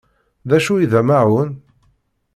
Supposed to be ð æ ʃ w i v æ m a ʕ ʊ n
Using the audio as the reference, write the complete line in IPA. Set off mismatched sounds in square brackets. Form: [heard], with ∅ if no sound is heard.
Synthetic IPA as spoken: ð æ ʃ [u] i [ð] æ m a ʕ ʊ n